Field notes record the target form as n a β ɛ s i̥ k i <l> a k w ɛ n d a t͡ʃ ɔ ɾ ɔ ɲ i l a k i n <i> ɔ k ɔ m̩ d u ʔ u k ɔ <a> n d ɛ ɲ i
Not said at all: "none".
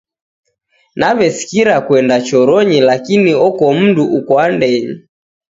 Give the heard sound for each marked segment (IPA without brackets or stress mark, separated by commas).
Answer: ɾ, i, a